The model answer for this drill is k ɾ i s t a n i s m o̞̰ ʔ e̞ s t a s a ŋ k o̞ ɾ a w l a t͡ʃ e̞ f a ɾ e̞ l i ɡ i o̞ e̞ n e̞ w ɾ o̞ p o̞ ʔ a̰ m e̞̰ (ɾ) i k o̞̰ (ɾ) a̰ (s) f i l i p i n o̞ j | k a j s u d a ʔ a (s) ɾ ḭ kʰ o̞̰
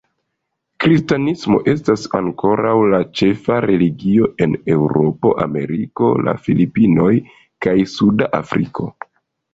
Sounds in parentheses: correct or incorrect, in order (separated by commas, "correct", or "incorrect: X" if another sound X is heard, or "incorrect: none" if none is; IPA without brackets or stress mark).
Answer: correct, incorrect: l, incorrect: none, incorrect: f